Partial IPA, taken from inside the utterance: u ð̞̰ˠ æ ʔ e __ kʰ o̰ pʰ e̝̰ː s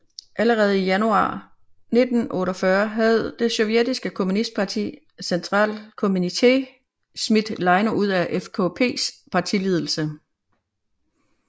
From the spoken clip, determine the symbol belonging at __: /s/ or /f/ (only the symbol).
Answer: f